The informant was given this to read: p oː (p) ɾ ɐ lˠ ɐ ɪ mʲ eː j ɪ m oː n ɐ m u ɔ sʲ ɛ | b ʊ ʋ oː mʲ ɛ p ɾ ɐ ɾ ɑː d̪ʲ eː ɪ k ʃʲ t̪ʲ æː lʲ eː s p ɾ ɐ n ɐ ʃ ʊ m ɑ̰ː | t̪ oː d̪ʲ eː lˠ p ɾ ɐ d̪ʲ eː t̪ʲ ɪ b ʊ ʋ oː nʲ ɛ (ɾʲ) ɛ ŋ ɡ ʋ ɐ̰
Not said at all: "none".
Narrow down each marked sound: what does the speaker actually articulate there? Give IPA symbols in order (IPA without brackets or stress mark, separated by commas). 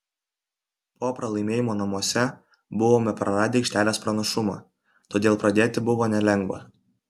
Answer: p, lʲ